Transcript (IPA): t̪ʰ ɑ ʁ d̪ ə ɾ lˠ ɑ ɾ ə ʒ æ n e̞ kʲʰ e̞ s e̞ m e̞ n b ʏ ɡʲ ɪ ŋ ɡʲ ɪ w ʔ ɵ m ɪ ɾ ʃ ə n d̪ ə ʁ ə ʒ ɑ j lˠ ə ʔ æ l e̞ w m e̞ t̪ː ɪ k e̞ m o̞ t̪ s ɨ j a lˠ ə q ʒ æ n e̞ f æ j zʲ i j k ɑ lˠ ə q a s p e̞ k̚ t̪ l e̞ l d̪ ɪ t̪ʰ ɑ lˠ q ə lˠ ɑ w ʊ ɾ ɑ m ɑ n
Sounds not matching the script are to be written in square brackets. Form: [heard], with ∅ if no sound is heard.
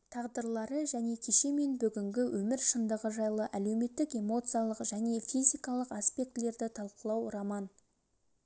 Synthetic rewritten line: t̪ʰ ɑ ʁ d̪ ə ɾ lˠ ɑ ɾ ə ʒ æ n e̞ kʲʰ e̞ [ʃ] e̞ m e̞ n b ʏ ɡʲ ɪ ŋ ɡʲ ɪ w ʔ ɵ m ɪ ɾ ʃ ə n d̪ ə ʁ ə ʒ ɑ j lˠ ə ʔ æ l e̞ w m e̞ t̪ː ɪ k e̞ m o̞ t̪ s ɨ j a lˠ ə q ʒ æ n e̞ f [i] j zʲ i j k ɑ lˠ ə q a s p e̞ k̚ t̪ l e̞ [ɾ] d̪ ɪ t̪ʰ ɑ lˠ q ə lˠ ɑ w ʊ ɾ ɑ m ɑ n